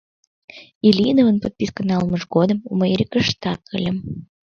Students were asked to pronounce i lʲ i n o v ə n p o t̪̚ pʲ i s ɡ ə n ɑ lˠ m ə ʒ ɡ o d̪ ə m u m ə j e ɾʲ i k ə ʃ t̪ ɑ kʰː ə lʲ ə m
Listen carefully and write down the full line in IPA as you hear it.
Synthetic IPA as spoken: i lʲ i n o v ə n p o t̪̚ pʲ i s k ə n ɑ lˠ m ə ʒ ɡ o d̪ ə m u m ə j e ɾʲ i k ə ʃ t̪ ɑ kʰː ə lʲ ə m